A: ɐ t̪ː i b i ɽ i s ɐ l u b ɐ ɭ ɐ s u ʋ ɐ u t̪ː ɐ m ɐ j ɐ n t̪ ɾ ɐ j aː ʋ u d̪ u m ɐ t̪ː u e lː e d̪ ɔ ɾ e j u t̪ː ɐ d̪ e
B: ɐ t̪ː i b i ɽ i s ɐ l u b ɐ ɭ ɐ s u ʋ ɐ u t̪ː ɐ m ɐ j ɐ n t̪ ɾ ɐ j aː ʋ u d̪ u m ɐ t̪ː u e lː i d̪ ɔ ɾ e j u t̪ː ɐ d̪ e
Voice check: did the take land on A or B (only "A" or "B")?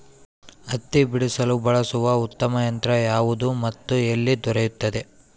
B